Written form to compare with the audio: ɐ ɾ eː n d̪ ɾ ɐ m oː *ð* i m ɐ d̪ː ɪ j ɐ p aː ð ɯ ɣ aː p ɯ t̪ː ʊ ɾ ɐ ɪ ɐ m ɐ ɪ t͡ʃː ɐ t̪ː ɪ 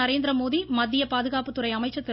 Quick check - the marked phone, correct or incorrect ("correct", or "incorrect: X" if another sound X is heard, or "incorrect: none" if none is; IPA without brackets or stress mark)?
correct